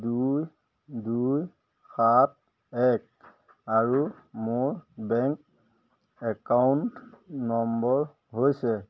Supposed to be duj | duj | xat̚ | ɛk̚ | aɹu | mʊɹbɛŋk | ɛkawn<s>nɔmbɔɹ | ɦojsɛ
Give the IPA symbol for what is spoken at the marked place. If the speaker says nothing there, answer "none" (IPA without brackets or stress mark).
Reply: t